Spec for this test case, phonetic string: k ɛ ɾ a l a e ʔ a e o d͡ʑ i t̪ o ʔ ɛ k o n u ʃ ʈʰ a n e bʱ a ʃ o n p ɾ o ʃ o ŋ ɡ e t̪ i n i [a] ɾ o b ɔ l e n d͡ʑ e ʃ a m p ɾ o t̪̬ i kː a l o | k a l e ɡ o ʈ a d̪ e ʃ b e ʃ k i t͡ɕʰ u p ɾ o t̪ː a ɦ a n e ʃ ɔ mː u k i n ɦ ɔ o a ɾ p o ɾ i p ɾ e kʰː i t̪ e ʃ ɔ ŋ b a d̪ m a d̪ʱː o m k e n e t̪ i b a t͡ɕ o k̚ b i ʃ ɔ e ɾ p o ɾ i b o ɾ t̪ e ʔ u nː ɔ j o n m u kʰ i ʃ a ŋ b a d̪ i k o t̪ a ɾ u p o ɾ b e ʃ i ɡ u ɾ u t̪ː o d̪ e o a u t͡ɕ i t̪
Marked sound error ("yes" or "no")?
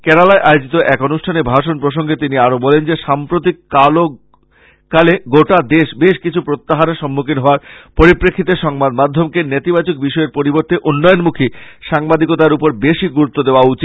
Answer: no